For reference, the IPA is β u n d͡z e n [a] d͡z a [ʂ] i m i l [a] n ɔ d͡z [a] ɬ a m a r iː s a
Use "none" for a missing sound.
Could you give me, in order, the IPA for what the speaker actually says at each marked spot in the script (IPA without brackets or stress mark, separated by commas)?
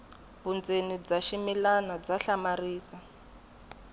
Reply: i, ʃ, a, a